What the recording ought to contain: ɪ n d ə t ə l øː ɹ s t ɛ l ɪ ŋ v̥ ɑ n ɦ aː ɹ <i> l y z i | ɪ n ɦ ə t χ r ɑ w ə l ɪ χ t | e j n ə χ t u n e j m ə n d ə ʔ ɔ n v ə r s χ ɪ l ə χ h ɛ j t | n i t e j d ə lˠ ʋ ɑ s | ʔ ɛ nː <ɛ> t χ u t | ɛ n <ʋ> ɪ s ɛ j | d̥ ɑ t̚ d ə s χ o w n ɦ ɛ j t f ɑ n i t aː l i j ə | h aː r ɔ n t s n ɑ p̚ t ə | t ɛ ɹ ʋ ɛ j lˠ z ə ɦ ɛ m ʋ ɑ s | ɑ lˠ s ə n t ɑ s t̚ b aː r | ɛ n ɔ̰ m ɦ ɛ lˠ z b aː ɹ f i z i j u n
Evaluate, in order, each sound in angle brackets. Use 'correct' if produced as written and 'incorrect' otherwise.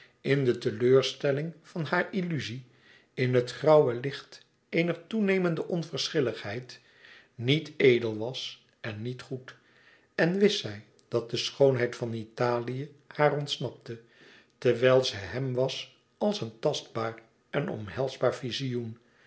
correct, incorrect, correct

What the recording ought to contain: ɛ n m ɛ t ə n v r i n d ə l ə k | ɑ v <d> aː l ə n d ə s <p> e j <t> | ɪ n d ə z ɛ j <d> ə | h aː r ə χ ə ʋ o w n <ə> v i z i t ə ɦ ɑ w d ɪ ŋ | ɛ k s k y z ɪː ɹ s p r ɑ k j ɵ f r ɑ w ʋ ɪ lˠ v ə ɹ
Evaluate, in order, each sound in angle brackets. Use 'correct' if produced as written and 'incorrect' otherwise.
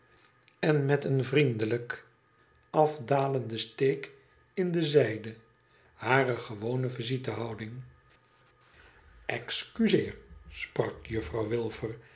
correct, incorrect, incorrect, correct, correct

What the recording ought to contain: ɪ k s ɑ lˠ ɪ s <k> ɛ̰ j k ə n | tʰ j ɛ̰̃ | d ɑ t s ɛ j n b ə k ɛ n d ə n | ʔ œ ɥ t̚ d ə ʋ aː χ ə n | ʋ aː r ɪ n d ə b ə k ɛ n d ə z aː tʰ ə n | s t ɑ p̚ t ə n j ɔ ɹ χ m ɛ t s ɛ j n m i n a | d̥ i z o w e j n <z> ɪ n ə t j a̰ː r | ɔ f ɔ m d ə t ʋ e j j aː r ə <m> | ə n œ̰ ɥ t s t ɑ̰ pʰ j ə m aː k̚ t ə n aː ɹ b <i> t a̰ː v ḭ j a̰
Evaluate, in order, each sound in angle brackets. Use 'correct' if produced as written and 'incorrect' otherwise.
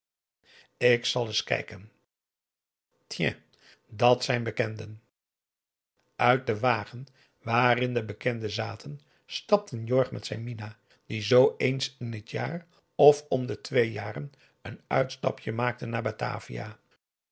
correct, incorrect, incorrect, incorrect

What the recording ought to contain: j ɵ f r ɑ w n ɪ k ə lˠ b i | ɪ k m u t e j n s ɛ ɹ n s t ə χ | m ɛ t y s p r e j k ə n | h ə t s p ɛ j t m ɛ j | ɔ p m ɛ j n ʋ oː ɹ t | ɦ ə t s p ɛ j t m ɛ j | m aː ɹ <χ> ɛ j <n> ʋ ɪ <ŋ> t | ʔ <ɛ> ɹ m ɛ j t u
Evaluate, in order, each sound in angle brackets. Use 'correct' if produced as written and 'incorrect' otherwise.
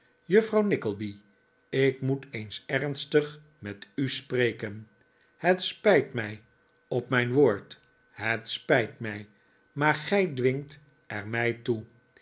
correct, incorrect, correct, correct

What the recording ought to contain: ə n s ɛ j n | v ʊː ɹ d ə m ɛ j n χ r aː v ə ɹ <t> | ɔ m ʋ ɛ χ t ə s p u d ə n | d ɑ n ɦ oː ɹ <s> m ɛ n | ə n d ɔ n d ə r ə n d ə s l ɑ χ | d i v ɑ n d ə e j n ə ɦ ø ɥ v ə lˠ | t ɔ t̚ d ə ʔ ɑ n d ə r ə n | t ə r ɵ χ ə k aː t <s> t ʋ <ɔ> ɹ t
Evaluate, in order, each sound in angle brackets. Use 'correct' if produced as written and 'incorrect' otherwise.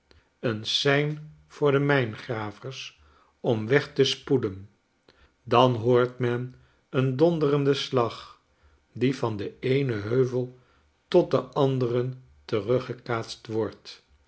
incorrect, incorrect, correct, correct

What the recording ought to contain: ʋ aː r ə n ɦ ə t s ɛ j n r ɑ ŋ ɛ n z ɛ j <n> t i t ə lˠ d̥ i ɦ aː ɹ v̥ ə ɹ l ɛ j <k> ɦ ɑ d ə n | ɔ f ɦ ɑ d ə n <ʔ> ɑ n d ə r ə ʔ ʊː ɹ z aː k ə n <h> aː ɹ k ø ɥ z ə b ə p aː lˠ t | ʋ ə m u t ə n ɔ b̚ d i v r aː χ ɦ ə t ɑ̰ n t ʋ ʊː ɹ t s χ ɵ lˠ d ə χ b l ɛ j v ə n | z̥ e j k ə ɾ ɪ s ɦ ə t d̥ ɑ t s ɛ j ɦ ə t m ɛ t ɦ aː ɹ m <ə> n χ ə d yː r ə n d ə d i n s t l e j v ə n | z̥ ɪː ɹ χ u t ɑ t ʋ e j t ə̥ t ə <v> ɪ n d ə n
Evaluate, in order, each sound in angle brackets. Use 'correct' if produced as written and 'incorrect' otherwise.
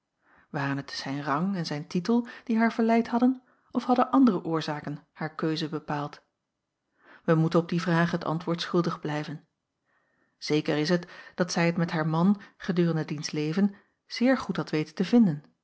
correct, incorrect, correct, correct, incorrect, correct

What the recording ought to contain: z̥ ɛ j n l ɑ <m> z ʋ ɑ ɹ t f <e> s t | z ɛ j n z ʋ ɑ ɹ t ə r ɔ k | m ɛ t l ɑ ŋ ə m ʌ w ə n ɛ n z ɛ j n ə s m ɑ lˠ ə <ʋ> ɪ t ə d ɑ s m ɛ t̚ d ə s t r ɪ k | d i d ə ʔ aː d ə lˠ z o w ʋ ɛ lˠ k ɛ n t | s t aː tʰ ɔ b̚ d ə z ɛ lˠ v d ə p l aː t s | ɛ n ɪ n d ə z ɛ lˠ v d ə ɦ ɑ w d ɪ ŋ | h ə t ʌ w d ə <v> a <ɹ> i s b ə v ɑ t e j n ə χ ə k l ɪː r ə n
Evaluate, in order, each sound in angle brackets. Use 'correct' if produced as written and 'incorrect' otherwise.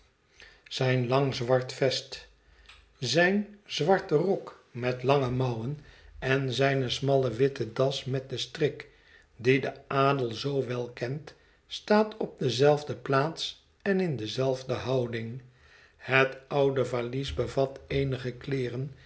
incorrect, incorrect, correct, correct, incorrect

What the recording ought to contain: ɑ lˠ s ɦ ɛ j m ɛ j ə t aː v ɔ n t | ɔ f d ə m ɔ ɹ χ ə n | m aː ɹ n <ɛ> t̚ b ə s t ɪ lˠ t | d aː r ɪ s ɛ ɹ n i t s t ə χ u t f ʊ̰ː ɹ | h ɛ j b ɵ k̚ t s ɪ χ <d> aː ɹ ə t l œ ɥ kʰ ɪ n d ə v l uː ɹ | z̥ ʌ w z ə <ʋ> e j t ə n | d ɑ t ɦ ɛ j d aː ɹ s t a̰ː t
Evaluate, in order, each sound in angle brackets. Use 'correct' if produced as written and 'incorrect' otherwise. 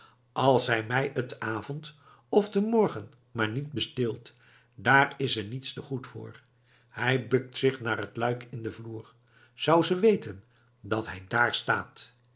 incorrect, incorrect, correct

